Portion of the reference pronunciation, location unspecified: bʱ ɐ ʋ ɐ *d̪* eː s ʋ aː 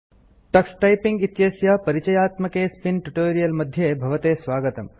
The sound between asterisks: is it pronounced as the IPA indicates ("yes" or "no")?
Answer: no